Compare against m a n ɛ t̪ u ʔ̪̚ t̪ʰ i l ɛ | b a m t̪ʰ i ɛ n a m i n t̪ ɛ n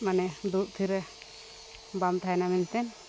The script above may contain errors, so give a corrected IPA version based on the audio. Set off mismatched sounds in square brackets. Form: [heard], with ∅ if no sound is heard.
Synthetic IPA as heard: m a n ɛ [d̪] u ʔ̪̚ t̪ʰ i [ɾ] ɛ | b a m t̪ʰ [a] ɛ n a m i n t̪ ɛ n